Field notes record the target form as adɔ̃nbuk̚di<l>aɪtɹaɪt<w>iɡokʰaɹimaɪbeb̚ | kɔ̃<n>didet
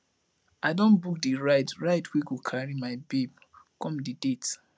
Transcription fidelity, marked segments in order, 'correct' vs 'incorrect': incorrect, correct, incorrect

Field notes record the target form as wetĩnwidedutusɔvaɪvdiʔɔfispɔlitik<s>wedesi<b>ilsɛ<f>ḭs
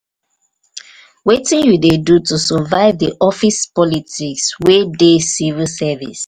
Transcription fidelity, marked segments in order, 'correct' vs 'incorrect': correct, incorrect, incorrect

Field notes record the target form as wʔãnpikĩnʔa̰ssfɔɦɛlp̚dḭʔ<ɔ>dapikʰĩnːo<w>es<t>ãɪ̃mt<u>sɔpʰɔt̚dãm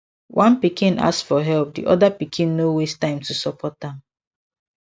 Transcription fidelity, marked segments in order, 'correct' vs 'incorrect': correct, correct, correct, correct

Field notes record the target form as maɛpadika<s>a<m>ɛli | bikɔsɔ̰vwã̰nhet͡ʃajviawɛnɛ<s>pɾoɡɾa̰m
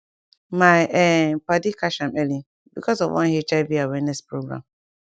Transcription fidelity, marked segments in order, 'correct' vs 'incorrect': incorrect, correct, correct

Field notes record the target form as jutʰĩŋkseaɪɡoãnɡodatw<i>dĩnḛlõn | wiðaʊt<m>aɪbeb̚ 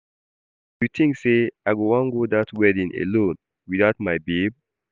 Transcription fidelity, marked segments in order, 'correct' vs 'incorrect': incorrect, correct

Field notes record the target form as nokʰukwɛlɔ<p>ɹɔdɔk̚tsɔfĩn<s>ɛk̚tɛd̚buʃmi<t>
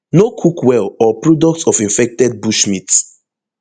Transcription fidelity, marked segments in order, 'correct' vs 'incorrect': correct, incorrect, correct

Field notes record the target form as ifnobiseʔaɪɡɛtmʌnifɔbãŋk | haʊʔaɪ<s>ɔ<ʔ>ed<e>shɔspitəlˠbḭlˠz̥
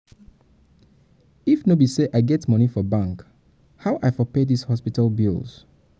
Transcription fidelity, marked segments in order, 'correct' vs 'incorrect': incorrect, incorrect, incorrect

